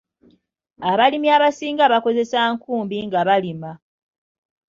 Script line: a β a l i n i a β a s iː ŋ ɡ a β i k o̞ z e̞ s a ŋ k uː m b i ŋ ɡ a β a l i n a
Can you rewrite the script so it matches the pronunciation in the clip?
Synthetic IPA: a β a l i m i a β a s iː ŋ ɡ a β a k o̞ z e̞ s a ŋ k uː m b i ŋ ɡ a β a l i m a